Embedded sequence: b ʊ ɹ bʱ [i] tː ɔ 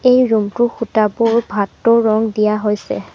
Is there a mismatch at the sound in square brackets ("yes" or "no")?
yes